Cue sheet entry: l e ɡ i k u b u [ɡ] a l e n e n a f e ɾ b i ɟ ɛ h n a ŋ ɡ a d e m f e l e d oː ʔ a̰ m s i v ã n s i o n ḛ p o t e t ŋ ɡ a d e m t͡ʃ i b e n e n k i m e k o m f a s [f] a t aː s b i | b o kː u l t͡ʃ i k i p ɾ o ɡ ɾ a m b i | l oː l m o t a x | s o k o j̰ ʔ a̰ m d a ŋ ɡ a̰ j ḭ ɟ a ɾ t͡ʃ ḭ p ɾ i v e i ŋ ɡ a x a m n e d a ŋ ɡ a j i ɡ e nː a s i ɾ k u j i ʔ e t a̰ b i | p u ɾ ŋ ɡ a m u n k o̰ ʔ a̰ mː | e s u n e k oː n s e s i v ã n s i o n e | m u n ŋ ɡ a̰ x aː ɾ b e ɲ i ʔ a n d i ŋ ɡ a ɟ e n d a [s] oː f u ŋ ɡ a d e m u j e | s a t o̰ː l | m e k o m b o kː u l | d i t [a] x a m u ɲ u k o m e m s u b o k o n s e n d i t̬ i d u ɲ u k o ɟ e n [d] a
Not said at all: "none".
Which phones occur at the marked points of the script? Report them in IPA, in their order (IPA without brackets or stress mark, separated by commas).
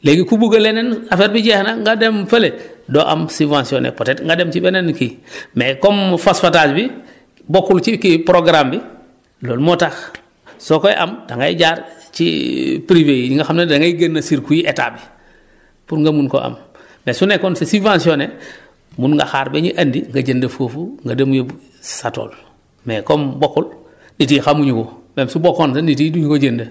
ɡ, f, f, i, d